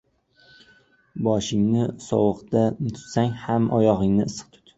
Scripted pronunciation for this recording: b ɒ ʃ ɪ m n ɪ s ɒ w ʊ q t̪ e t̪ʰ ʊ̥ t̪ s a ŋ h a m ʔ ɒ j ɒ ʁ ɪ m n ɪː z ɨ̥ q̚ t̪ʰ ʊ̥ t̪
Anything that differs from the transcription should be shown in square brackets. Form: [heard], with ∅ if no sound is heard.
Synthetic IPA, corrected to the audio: b ɒ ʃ ɪ [ŋ] n ɪ s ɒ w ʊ q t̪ [a] t̪ʰ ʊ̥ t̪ s a ŋ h a m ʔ ɒ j ɒ ʁ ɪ [ŋ] n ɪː [s] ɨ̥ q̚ t̪ʰ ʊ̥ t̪

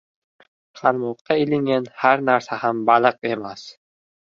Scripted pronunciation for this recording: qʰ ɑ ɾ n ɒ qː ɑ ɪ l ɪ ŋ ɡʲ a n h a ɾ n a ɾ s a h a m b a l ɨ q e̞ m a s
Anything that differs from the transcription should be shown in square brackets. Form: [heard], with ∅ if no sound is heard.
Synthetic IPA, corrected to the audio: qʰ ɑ ɾ [m] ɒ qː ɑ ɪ l ɪ ŋ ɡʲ a n h a ɾ n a ɾ s a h a m b a l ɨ q e̞ m a s

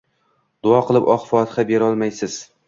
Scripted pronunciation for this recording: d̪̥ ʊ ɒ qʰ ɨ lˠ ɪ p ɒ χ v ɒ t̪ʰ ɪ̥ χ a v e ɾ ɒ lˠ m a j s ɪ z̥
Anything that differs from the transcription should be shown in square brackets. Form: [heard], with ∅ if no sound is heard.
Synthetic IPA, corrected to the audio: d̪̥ ʊ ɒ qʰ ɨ lˠ ɪ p ɒ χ [f] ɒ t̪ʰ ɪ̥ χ a [b] e ɾ ɒ lˠ m a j s ɪ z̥

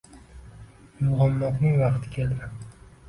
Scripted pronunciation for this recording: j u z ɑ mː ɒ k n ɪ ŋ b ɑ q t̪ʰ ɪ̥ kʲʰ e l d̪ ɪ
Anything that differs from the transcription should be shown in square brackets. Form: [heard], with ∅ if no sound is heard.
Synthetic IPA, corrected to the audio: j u [ʁ] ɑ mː ɒ [q] n ɪ ŋ [v] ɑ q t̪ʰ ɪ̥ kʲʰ e l d̪ ɪ

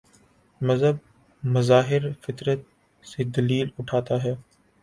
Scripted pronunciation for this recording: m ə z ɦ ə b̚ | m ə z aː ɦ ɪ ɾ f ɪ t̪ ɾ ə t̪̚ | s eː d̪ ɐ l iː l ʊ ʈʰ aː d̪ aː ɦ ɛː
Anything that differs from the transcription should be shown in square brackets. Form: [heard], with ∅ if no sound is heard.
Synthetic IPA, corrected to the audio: m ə z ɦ ə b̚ | m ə z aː ɦ ɪ ɾ f ɪ t̪ ɾ ə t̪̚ | s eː d̪ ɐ l iː l ʊ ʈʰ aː [t̪] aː ɦ ɛː

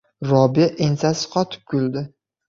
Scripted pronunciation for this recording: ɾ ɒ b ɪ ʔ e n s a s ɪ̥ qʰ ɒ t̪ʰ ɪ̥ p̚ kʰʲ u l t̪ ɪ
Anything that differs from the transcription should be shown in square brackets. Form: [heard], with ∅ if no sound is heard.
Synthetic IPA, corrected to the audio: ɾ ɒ b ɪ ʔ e n s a s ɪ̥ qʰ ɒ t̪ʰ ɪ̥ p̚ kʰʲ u l [d̪] ɪ

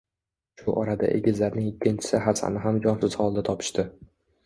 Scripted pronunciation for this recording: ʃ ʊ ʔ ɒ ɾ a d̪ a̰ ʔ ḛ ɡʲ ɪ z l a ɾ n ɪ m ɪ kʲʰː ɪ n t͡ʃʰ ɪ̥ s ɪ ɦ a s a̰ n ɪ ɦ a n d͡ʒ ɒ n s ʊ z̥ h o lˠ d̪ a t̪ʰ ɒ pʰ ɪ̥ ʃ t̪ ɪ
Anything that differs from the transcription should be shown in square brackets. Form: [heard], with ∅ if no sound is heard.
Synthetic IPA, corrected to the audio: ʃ ʊ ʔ ɒ ɾ a d̪ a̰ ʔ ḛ ɡʲ ɪ z l a ɾ n ɪ [ŋ] ɪ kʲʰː ɪ n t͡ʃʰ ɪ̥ s ɪ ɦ a s a̰ n ɪ ɦ a [m] d͡ʒ ɒ n s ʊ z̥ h [ɒ] lˠ d̪ a t̪ʰ ɒ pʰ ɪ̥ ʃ t̪ ɪ

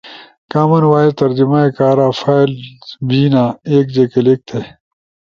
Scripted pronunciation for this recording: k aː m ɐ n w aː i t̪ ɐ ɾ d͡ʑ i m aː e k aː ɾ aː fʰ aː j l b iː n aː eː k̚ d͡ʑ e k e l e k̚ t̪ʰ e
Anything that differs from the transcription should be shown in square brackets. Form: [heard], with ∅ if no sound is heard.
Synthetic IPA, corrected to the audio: k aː m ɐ n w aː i t̪ ɐ ɾ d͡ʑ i m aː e k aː ɾ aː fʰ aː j l b iː n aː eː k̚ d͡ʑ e k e l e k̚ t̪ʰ e

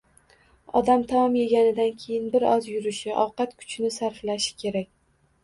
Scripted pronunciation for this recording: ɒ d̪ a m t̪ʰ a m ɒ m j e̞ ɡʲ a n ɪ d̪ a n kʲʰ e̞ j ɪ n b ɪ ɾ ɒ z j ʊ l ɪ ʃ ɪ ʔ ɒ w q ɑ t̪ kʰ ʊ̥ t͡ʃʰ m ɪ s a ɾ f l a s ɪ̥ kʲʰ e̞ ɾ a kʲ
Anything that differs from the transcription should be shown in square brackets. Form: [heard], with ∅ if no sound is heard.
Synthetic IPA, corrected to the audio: ɒ d̪ a m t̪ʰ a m ɒ m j e̞ ɡʲ a n ɪ d̪ a n kʲʰ e̞ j ɪ n b ɪ ɾ ɒ z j ʊ [ɾ] ɪ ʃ ɪ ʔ ɒ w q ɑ t̪ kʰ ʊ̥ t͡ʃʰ [n] ɪ s a ɾ f l a [ʃ] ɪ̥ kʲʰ e̞ ɾ a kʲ

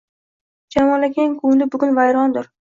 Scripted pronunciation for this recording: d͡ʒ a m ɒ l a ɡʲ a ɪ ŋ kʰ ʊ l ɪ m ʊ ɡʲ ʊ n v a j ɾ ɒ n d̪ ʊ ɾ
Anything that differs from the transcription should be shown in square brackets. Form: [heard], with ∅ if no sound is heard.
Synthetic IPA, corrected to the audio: d͡ʒ a m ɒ l a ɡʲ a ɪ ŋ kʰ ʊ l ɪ [b] ʊ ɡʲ ʊ n v a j ɾ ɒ n d̪ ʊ ɾ

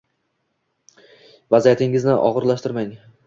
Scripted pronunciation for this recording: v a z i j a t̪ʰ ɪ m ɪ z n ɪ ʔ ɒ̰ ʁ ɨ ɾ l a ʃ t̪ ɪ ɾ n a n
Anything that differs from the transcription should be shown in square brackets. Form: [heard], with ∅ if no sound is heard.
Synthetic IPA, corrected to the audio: v a z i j a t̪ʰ ɪ [ŋ] ɪ z n ɪ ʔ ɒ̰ ʁ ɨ ɾ l a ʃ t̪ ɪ ɾ [m] a [ŋ]

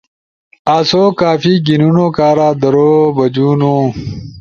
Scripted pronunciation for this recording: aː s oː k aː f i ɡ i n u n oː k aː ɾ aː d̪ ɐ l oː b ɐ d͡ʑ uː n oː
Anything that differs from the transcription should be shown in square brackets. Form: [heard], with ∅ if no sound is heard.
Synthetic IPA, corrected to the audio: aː s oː k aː f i ɡ i n u n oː k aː ɾ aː d̪ ɐ [ɾ] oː b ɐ d͡ʑ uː n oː

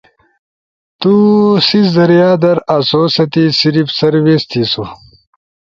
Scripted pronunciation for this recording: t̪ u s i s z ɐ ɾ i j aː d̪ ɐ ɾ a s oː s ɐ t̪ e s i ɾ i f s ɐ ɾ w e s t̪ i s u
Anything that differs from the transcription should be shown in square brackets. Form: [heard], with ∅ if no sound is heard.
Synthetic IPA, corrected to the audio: t̪ u s i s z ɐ ɾ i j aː d̪ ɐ ɾ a s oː s ɐ t̪ [i] s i ɾ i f s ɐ ɾ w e s t̪ i s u

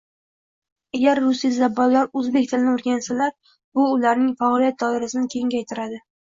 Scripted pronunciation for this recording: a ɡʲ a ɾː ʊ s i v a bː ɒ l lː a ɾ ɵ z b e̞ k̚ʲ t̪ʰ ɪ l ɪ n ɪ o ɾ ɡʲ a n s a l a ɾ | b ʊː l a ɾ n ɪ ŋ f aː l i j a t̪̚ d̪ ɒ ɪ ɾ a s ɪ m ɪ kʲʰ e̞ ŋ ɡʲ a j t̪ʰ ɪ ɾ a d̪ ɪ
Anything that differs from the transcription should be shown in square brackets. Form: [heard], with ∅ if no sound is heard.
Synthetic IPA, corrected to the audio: a ɡʲ a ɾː ʊ s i [z] a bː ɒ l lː a ɾ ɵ z b e̞ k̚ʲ t̪ʰ ɪ l ɪ n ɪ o ɾ ɡʲ a n s a l a ɾ | b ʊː l a ɾ n ɪ ŋ f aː l i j a t̪̚ d̪ ɒ ɪ ɾ a s ɪ [n] ɪ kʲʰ e̞ ŋ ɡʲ a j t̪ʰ ɪ ɾ a d̪ ɪ

